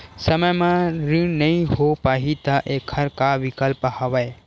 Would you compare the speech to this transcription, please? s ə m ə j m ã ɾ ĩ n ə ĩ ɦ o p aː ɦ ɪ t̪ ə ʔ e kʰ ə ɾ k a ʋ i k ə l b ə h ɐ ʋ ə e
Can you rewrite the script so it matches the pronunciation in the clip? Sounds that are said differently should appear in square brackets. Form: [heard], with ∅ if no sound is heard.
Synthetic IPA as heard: s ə m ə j m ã ɾ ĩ n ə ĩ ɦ o p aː ɦ [i] t̪ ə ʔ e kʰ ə ɾ k a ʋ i k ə l [p] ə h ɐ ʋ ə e